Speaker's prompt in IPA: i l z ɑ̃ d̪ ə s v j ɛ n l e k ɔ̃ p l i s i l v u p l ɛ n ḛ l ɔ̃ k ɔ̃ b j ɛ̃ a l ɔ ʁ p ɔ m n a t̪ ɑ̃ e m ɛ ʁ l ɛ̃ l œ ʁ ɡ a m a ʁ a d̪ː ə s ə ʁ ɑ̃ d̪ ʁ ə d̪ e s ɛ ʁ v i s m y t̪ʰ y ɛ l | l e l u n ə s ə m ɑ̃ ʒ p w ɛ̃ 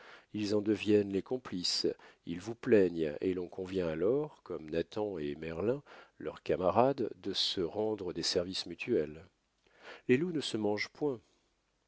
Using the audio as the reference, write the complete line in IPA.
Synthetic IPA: i l z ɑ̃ d̪ ə v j ɛ n l e k ɔ̃ p l i s i l v u p l ɛ ɲ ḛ l ɔ̃ k ɔ̃ v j ɛ̃ a l ɔ ʁ k ɔ m n a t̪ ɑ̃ e m ɛ ʁ l ɛ̃ l œ ʁ k a m a ʁ a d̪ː ə s ə ʁ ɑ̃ d̪ ʁ ə d̪ e s ɛ ʁ v i s m y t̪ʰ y ɛ l | l e l u n ə s ə m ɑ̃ ʒ p w ɛ̃